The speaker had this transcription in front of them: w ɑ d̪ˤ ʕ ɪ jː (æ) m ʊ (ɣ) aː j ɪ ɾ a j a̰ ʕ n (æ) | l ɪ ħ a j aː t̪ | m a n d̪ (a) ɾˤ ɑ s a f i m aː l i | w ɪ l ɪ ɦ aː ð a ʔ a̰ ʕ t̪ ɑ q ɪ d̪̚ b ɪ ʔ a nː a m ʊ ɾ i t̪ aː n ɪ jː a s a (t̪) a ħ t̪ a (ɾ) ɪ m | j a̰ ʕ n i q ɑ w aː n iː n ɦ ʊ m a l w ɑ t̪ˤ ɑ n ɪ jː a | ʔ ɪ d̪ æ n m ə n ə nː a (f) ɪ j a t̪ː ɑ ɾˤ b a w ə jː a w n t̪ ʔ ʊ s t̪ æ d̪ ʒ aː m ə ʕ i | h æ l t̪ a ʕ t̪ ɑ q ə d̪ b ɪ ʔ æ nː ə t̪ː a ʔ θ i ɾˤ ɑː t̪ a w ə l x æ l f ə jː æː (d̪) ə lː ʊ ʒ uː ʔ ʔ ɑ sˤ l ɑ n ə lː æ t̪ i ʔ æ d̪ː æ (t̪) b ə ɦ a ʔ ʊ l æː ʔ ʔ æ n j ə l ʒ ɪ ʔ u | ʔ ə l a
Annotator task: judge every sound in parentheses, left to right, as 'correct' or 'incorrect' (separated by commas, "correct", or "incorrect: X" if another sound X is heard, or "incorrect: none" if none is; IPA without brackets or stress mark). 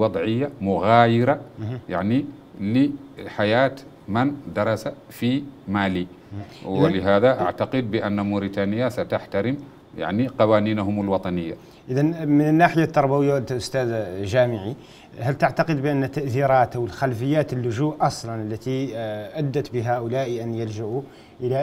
incorrect: a, correct, incorrect: i, incorrect: ɑ, correct, correct, incorrect: ħ, incorrect: t̪, correct